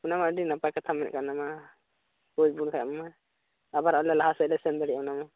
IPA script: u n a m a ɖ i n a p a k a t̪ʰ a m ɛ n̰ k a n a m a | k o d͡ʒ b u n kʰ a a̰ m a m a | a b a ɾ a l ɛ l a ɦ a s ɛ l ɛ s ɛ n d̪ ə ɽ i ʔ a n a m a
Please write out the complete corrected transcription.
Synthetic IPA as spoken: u n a m a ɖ i n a p a k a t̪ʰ a m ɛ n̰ k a n a m a | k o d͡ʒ b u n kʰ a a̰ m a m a | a b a ɾ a l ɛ l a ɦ a s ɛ l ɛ s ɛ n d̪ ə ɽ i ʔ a n a m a